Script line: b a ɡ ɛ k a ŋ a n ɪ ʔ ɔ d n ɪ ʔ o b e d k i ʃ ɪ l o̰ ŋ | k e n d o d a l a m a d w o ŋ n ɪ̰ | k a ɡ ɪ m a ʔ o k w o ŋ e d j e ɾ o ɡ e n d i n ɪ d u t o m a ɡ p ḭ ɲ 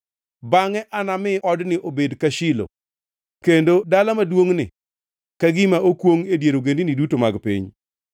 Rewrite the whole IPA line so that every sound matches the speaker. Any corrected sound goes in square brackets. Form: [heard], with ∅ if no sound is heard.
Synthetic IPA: b a [ŋ] ɛ [ʔ] a [n] a [m] ɪ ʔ ɔ d n ɪ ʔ o b e d k [a] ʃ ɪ l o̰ [∅] | k e n d o d a l a m a d w o ŋ n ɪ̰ | k a ɡ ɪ m a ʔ o k w o ŋ e d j e ɾ o ɡ e n d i n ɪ d u t o m a ɡ p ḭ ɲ